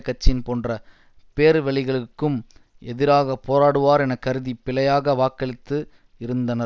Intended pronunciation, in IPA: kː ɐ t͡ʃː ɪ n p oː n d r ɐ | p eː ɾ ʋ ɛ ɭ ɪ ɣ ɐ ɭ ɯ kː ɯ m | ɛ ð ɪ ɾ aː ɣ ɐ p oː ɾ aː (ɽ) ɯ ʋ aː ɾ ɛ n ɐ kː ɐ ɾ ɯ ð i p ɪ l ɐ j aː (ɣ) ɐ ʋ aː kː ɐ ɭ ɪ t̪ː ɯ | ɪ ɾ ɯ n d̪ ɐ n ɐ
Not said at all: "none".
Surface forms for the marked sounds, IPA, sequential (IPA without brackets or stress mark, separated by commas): ɽ, ɣ